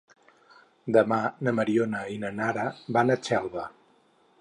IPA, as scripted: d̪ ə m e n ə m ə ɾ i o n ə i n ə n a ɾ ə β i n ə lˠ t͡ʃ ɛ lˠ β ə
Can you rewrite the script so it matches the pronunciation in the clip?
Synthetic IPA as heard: d̪ ə m a n ə m ə ɾ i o n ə i n ə n a ɾ ə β a n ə t͡ʃ ɛ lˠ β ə